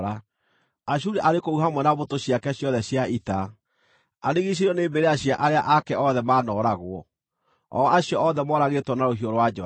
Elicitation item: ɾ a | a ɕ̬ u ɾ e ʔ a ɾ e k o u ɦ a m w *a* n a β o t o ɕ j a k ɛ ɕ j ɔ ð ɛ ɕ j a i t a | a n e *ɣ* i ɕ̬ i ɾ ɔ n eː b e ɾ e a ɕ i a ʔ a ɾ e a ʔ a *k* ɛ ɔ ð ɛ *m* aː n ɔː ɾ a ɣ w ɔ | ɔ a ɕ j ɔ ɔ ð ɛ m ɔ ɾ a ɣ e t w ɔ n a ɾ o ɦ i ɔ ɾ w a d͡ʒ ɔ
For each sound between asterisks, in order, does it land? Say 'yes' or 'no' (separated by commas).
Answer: no, yes, yes, yes